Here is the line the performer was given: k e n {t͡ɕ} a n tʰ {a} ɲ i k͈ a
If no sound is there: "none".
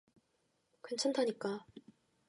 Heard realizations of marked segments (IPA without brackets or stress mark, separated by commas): t͡ɕʰ, a